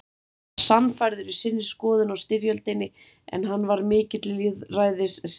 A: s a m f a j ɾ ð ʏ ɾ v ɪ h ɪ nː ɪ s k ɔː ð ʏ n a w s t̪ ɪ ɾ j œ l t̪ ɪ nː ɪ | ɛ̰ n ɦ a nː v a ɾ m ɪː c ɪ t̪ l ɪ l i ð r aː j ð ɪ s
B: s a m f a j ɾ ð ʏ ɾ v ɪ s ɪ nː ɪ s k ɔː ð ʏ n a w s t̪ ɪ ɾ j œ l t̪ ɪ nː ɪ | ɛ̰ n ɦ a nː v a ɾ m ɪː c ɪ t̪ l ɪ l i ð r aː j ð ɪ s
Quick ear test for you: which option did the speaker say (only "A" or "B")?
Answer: B